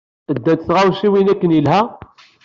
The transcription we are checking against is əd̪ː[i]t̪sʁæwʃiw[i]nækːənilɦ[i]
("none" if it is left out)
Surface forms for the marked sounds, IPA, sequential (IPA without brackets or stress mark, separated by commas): æ, i, æ